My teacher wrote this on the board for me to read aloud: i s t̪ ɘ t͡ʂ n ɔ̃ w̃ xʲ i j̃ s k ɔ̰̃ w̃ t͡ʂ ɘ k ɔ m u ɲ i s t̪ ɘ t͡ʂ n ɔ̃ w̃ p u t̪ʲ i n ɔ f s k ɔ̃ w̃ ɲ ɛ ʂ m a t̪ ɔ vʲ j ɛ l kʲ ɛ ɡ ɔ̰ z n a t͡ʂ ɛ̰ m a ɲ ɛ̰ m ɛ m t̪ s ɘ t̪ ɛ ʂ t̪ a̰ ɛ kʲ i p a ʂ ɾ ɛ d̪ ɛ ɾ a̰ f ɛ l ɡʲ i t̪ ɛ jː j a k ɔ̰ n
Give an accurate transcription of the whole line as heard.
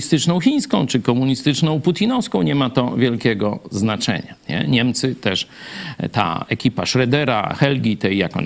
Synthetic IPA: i s t̪ ɘ t͡ʂ n ɔ̃ w̃ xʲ i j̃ s k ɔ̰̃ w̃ t͡ʂ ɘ k ɔ m u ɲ i s t̪ ɘ t͡ʂ n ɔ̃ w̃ p u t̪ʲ i n ɔ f s k ɔ̃ w̃ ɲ ɛ m a t̪ ɔ vʲ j ɛ l kʲ ɛ ɡ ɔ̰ z n a t͡ʂ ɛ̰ ɲ a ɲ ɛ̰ ɲ ɛ m t̪ s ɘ t̪ ɛ ʂ t̪ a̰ ɛ kʲ i p a ʂ ɾ ɛ d̪ ɛ ɾ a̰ x ɛ l ɡʲ i t̪ ɛ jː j a k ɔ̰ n